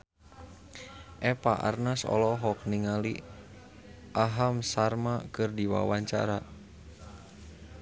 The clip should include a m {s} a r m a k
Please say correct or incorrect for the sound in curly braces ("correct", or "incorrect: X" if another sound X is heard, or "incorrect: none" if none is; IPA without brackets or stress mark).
correct